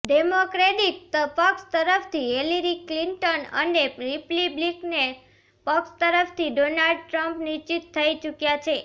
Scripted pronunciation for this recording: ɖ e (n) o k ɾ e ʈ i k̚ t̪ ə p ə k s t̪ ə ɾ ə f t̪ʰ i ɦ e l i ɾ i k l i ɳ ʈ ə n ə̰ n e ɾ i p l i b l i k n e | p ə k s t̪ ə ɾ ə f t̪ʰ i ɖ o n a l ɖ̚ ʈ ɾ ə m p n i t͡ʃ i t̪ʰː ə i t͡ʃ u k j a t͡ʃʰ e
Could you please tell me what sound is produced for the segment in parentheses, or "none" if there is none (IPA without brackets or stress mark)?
m